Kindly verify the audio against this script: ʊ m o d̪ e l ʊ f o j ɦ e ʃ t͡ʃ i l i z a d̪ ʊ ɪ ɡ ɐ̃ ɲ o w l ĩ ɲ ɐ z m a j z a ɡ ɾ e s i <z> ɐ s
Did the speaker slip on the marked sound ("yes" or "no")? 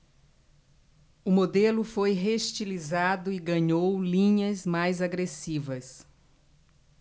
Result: yes